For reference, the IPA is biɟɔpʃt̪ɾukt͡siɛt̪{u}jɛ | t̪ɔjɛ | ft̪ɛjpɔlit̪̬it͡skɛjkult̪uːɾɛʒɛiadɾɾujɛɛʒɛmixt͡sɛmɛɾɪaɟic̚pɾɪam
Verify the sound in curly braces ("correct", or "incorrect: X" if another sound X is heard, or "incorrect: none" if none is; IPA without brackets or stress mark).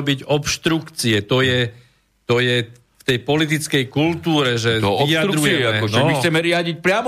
incorrect: ɔ